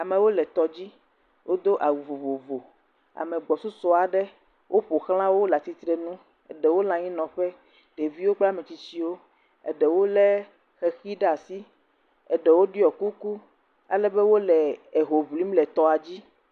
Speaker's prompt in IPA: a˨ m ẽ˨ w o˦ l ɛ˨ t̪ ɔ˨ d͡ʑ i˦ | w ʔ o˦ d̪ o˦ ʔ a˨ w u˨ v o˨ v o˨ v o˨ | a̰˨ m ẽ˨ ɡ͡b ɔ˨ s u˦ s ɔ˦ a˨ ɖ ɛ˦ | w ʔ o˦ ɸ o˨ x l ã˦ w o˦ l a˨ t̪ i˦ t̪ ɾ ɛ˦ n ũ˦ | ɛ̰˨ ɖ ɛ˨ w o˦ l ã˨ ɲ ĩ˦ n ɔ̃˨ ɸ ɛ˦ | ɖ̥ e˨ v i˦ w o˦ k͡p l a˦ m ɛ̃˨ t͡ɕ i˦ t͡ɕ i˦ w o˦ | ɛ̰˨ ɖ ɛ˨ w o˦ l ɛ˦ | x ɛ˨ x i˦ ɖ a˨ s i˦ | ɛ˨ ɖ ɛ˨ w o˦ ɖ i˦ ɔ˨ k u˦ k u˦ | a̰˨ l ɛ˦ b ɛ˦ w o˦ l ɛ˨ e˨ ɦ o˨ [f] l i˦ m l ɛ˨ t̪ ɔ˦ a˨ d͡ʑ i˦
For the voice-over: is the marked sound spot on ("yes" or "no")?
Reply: no